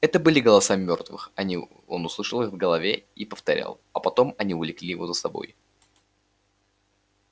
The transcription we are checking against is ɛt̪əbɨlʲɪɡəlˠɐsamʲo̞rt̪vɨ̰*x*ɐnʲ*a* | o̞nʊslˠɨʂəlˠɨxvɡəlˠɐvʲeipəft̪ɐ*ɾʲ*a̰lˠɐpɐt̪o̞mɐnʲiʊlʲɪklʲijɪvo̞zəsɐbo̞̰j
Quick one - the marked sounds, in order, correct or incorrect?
correct, incorrect: i, correct

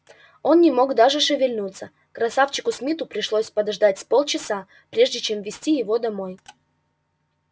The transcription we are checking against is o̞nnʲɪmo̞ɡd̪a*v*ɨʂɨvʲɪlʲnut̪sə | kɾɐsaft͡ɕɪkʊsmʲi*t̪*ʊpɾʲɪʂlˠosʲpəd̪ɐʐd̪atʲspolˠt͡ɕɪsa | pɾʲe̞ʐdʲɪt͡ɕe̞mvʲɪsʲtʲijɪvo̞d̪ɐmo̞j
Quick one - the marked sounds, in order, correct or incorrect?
incorrect: ʐ, correct

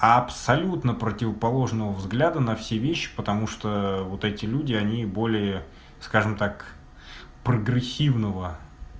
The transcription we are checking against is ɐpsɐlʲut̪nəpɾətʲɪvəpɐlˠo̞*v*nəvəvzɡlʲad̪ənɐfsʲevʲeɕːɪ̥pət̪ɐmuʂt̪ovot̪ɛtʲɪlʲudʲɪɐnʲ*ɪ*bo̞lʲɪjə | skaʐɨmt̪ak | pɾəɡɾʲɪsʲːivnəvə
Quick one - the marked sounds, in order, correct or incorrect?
incorrect: ʐ, incorrect: i

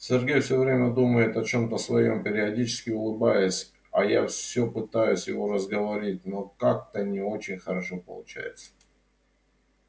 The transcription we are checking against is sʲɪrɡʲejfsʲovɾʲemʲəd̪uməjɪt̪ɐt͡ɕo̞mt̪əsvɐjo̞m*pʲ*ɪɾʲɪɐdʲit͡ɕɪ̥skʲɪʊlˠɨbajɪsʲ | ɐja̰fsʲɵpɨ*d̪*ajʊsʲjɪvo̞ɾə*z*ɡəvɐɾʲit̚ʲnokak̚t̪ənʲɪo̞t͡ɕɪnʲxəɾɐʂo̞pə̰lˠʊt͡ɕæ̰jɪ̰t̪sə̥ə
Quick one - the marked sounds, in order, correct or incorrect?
correct, incorrect: t̪, correct

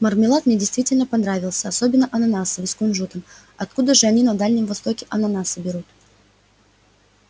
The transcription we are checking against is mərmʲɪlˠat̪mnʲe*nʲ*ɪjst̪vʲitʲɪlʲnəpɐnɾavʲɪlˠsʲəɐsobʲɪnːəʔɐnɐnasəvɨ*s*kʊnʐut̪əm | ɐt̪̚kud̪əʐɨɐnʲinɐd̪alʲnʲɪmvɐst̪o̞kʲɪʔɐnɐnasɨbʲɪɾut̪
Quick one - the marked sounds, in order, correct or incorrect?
incorrect: dʲ, correct

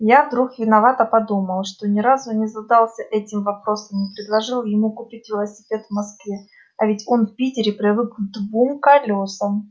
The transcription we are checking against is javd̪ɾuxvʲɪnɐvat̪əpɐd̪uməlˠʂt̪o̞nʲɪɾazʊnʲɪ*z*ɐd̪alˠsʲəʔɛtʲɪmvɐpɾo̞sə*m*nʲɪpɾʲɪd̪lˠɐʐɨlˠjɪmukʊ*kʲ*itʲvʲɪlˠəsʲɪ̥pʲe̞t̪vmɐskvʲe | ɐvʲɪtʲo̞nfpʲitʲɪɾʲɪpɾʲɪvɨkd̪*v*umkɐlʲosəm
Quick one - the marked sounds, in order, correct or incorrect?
correct, correct, incorrect: pʲ, correct

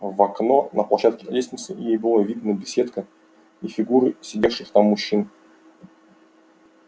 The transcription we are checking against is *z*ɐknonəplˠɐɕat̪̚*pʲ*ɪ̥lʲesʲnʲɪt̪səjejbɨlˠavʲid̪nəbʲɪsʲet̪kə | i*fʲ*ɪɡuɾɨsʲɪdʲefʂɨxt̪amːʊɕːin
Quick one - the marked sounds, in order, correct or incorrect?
incorrect: v, incorrect: kʲ, correct

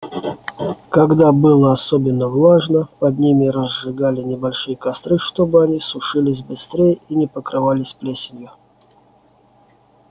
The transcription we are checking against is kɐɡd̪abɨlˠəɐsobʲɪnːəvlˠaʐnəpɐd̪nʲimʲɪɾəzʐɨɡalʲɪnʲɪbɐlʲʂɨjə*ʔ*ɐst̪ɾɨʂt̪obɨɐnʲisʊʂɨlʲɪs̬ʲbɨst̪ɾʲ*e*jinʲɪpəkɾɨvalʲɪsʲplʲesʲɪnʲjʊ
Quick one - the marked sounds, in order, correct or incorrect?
incorrect: k, correct

